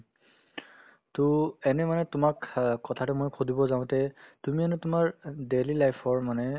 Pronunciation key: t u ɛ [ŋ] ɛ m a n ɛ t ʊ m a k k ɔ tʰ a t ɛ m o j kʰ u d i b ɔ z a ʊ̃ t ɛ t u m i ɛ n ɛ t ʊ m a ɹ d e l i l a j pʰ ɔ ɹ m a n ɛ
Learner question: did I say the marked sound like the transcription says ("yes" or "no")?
no